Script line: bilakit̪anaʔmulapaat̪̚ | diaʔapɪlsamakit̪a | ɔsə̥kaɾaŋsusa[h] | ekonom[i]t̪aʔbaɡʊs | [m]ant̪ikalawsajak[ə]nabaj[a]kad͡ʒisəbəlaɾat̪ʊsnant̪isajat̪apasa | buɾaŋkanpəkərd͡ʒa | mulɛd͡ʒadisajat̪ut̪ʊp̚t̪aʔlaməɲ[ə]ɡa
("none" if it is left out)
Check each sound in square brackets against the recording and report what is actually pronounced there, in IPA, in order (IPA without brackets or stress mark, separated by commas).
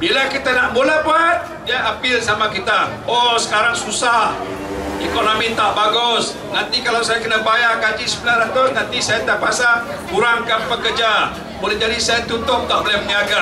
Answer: h, i, n, ə, a, a